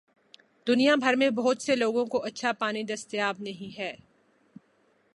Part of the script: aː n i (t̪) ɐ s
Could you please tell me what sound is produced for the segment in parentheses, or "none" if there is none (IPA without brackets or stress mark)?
d̪